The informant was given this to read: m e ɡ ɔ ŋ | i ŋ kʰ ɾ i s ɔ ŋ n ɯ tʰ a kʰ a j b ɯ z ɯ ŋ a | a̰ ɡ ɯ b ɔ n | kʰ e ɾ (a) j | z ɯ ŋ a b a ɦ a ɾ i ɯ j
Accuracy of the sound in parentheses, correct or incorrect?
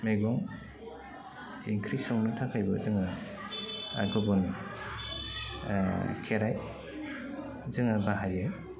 correct